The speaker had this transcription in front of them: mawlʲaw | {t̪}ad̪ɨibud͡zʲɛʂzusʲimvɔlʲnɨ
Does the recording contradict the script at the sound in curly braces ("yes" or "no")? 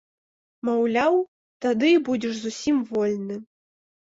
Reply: no